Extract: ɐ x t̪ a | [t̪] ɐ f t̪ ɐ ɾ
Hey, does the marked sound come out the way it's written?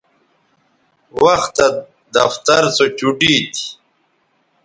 no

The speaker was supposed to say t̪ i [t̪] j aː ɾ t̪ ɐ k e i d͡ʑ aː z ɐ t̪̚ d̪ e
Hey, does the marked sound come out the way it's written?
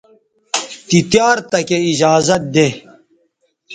yes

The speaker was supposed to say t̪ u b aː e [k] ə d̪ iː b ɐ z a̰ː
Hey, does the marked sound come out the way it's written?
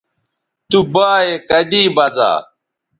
yes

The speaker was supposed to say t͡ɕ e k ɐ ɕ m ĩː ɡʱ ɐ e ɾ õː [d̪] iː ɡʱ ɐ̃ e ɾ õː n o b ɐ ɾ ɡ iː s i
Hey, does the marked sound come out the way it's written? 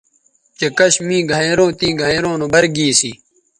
no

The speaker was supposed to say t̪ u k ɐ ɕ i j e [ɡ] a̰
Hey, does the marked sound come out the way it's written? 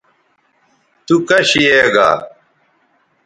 yes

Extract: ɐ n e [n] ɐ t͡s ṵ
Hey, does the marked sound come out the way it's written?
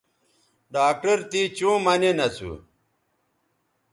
yes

